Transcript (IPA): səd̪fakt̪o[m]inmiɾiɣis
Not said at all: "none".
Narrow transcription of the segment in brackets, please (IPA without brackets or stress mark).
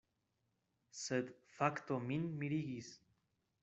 m